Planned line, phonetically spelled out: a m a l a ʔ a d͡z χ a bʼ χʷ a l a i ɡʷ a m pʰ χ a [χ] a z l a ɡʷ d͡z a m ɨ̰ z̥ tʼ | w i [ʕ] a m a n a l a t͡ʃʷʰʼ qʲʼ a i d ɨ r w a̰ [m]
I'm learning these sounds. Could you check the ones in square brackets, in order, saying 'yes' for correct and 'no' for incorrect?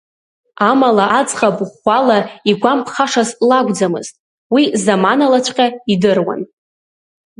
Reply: no, no, no

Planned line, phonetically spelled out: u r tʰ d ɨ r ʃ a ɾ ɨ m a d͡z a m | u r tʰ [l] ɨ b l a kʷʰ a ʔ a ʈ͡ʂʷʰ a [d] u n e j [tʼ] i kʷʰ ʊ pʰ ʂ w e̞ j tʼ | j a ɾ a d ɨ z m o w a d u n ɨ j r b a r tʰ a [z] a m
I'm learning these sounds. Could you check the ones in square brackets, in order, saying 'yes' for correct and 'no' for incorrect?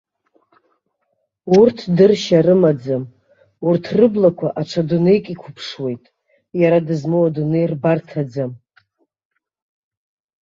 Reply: no, yes, no, no

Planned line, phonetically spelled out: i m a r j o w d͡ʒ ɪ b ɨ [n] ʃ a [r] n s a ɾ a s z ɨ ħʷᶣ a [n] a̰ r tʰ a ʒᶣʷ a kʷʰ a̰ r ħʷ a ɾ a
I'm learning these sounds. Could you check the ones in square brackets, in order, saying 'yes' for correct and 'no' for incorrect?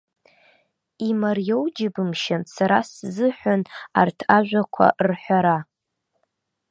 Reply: no, no, yes

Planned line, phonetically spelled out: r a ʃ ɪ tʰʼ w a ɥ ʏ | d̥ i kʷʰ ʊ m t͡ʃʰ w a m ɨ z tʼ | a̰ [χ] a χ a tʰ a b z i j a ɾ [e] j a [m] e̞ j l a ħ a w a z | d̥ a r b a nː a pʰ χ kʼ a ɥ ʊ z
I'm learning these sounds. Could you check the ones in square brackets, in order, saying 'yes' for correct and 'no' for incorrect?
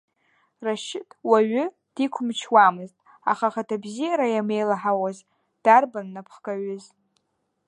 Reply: yes, no, yes

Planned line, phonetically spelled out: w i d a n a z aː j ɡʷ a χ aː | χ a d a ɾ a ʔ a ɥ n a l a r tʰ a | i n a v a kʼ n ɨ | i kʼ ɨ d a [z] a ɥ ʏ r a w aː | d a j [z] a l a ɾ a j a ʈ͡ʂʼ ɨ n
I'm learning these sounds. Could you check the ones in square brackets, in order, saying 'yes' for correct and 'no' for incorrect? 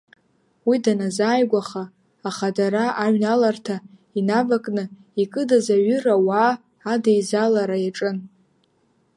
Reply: yes, yes

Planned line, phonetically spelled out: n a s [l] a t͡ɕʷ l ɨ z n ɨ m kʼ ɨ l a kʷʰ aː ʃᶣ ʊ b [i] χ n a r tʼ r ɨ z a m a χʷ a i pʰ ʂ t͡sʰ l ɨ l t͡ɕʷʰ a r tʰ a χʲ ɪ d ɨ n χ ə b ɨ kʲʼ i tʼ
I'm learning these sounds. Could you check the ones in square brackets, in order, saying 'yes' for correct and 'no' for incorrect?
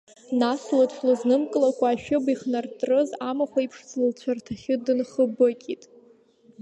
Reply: yes, yes

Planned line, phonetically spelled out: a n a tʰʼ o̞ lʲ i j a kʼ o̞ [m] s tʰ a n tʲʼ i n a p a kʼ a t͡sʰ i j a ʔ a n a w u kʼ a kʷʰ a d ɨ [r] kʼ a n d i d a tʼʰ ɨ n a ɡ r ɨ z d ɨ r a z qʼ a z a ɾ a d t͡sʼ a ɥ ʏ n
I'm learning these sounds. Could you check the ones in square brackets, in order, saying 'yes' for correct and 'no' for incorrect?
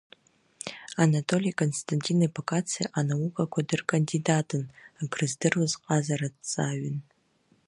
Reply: no, yes

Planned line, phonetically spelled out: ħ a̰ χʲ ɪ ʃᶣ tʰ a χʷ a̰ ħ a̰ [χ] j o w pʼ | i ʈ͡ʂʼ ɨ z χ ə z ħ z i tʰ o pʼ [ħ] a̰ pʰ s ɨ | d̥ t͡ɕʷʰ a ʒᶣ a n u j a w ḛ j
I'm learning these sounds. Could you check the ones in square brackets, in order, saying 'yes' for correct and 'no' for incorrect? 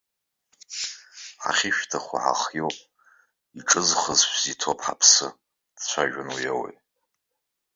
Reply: yes, yes

